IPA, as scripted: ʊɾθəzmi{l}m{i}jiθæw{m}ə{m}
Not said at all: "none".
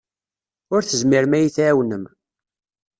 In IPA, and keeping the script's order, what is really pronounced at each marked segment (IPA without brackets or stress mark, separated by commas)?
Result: ɾ, æ, n, m